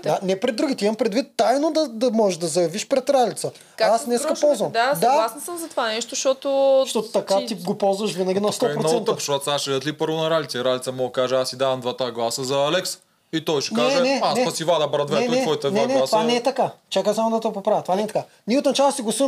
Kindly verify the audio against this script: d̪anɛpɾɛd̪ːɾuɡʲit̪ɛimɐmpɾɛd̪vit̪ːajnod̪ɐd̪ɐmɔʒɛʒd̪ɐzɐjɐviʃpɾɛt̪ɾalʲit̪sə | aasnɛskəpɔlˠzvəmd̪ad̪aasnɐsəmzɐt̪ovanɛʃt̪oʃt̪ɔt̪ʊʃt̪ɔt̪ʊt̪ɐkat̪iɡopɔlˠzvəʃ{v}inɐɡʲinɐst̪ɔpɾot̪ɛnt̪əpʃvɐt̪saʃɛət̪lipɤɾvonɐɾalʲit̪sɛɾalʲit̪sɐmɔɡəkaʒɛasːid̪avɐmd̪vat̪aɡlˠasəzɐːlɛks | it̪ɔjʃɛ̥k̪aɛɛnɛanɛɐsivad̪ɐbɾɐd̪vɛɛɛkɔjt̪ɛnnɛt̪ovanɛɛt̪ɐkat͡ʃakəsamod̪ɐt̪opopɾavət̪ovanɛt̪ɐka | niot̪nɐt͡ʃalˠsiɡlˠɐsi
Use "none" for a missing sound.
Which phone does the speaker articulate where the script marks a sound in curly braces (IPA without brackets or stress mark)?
v